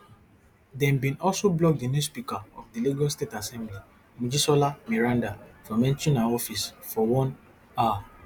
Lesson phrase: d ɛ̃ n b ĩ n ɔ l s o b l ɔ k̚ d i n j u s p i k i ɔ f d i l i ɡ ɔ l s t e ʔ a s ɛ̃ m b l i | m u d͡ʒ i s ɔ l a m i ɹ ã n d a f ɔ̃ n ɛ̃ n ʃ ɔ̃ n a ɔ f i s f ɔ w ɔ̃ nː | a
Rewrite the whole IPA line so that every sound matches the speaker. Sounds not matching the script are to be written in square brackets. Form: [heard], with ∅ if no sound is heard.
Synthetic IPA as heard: d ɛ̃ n b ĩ n ɔ l s o b l ɔ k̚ d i n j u s p i k [a] ɔ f d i l i ɡ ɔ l s t e [t] a s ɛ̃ m b l i | m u d͡ʒ i s ɔ l a m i ɹ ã n d a f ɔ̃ [m] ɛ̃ n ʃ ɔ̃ n a ɔ f i s f ɔ w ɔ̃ [n] | a